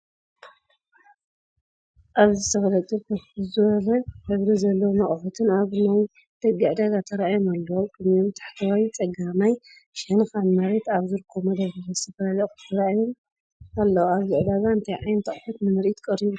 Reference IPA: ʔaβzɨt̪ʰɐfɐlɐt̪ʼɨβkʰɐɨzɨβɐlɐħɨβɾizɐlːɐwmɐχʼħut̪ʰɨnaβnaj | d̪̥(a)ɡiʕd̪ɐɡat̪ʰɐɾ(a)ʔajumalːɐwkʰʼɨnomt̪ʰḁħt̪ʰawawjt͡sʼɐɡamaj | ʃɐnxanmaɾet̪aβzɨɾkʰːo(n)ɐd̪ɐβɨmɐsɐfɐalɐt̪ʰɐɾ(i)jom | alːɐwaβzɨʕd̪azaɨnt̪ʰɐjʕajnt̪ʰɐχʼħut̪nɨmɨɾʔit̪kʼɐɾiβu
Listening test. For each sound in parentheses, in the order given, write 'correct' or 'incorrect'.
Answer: incorrect, correct, incorrect, incorrect

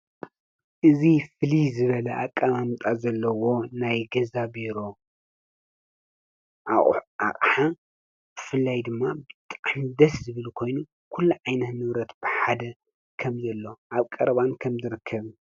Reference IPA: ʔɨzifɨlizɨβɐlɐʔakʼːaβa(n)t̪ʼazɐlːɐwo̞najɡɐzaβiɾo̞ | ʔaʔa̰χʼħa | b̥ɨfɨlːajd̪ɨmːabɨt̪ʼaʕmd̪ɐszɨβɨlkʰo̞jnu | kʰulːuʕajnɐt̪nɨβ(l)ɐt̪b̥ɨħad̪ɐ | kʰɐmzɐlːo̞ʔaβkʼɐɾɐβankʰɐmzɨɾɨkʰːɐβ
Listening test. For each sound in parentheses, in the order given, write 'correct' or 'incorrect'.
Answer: incorrect, incorrect

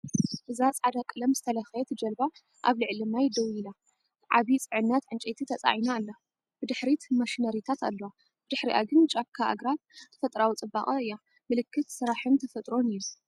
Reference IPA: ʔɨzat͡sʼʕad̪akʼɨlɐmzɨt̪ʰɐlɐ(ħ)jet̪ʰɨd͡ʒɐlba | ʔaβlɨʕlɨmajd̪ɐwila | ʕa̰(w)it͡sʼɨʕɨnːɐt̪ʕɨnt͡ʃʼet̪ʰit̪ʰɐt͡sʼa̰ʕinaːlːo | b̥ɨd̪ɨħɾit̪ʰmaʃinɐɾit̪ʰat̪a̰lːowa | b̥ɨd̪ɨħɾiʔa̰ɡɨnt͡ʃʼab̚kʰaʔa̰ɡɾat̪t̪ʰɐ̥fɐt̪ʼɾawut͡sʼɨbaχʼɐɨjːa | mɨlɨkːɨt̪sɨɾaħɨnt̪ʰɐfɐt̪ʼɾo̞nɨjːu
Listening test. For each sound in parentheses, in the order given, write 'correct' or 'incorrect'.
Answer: incorrect, incorrect

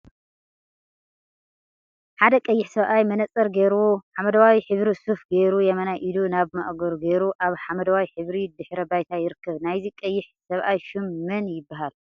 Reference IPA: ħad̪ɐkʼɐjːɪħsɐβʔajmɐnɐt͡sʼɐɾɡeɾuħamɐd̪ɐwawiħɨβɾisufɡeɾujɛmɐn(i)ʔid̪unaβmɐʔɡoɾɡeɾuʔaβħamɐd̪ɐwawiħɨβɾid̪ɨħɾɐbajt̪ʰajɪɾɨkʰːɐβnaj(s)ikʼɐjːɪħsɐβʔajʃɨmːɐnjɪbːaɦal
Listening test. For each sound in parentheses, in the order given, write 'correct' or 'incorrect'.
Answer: incorrect, incorrect

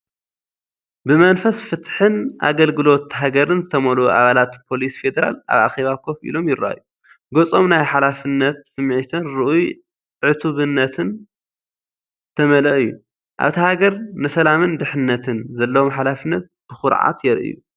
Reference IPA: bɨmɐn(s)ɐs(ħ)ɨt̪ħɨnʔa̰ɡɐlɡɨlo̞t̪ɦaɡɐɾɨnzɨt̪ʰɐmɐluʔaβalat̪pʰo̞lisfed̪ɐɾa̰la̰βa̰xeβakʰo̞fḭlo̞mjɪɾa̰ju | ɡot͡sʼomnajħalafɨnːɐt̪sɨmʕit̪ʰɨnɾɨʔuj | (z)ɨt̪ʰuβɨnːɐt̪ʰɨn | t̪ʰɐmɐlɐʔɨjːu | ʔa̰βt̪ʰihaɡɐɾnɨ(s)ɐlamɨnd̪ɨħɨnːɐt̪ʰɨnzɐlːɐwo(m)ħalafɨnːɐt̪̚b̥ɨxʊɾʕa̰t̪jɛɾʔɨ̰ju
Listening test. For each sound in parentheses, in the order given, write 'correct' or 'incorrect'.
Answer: incorrect, incorrect, incorrect, correct, correct

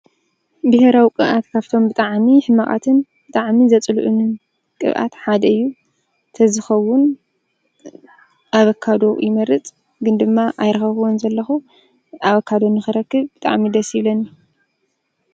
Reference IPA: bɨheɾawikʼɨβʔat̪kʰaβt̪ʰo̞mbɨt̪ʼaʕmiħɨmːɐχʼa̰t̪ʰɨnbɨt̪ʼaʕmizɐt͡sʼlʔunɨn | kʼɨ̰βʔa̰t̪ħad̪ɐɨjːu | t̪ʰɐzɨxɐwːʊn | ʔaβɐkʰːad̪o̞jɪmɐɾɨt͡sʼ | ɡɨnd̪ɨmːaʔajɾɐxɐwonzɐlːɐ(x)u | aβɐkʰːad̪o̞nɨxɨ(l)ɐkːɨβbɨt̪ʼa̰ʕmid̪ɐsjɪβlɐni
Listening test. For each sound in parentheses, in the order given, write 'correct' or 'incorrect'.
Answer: correct, incorrect

